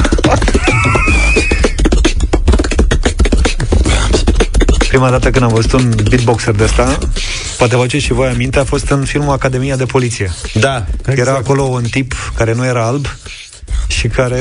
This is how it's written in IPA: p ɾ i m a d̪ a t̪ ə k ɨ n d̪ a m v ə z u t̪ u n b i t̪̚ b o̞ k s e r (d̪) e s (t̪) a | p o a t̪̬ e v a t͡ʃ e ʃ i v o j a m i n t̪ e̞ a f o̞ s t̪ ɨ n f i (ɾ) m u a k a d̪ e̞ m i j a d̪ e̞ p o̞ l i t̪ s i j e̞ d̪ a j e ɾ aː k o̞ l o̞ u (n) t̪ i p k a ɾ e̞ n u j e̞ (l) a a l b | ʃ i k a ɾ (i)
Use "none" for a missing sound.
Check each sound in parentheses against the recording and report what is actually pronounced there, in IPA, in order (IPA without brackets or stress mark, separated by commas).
d̪, t̪, l, n, ɾ, e